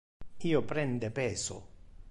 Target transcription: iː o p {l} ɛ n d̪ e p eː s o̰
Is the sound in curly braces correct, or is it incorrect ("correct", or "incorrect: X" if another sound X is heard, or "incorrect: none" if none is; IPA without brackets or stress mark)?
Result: incorrect: ɾ